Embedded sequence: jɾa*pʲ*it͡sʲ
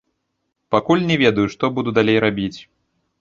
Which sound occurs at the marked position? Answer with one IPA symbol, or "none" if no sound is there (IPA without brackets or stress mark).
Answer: bʲ